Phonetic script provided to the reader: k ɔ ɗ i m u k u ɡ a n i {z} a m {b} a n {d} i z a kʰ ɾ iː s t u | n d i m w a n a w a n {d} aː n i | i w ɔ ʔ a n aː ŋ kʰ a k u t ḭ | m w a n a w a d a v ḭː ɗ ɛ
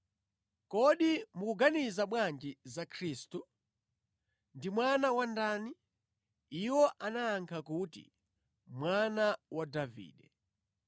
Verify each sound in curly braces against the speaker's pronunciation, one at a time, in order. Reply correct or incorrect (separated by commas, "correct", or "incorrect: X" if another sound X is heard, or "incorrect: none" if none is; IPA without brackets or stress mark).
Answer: correct, incorrect: w, incorrect: d͡ʒ, correct